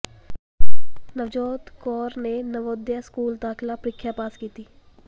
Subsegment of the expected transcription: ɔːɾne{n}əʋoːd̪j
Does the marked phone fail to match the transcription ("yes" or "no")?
no